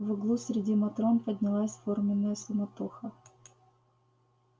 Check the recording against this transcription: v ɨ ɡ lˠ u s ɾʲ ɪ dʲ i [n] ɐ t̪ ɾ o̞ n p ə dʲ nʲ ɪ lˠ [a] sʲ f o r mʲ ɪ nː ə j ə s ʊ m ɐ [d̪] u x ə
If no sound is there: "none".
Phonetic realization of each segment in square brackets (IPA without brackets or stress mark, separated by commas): m, a, t̪